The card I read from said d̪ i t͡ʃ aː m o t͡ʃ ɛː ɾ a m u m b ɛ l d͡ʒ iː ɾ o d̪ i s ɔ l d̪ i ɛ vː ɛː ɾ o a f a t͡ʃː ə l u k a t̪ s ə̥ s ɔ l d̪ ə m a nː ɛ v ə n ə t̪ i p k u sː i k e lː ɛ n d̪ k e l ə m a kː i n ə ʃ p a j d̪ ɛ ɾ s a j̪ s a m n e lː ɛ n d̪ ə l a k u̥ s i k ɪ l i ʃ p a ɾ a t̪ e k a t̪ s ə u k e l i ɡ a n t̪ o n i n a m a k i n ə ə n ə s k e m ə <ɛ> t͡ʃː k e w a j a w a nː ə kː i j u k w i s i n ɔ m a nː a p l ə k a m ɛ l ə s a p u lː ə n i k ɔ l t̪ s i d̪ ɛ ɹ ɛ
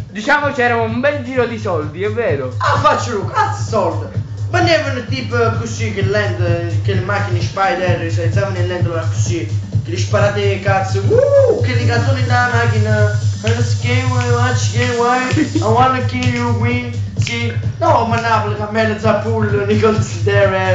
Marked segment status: incorrect: a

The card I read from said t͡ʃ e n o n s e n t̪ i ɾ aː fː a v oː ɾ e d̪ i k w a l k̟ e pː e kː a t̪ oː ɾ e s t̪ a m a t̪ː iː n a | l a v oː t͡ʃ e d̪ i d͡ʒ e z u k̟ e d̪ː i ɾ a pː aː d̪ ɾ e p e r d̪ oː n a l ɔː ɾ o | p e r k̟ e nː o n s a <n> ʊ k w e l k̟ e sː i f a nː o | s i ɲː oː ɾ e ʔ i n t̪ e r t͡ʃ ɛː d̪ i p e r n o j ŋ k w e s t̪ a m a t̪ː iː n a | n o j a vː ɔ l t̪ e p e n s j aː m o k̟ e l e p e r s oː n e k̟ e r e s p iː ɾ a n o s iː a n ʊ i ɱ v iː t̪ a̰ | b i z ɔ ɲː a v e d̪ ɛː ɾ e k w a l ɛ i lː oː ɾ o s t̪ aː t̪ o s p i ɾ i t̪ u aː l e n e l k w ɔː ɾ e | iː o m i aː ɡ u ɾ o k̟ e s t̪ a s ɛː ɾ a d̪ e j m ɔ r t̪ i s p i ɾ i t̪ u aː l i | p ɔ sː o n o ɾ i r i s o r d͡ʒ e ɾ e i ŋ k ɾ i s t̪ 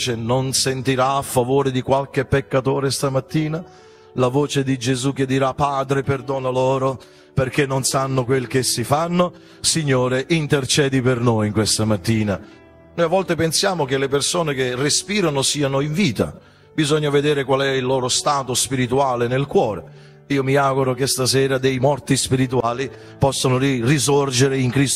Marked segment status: incorrect: nː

